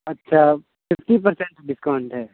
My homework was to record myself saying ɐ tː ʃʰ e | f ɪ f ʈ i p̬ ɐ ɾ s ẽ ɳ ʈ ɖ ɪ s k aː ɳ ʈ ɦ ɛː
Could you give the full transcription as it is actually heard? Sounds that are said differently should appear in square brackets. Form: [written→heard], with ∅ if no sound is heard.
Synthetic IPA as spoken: ɐ tː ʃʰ [e→a] | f ɪ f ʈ i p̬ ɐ ɾ s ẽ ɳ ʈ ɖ ɪ s k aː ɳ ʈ ɦ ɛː